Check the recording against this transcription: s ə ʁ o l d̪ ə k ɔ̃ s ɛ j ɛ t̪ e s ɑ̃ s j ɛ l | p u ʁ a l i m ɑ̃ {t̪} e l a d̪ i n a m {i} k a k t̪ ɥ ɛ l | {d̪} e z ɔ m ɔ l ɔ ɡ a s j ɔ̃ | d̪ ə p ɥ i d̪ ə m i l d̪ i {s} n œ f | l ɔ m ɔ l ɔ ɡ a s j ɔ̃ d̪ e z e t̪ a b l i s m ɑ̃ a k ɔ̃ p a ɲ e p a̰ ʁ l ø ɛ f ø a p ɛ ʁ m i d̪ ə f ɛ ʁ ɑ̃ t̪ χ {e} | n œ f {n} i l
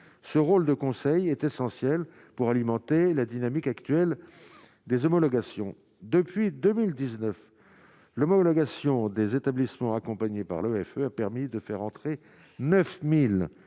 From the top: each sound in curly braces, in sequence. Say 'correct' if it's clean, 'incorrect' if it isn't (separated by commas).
correct, correct, correct, incorrect, correct, incorrect